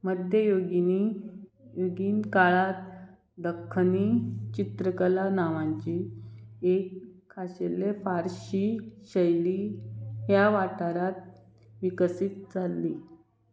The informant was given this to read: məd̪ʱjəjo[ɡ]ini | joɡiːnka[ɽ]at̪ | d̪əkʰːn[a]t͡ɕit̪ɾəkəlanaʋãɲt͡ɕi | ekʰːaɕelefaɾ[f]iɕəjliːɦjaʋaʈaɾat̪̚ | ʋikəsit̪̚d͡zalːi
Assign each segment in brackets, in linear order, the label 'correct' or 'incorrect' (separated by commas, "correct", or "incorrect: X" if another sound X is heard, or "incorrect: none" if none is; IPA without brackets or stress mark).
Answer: correct, incorrect: ɭ, incorrect: i, incorrect: ɕ